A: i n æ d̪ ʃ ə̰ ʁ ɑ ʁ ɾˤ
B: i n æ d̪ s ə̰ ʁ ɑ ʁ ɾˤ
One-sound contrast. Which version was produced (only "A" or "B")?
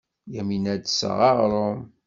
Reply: B